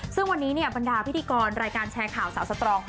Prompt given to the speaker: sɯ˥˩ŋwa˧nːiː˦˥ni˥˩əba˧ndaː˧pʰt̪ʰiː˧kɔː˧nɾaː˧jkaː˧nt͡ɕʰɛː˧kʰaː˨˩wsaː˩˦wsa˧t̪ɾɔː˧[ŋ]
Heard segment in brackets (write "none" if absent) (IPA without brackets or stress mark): ŋ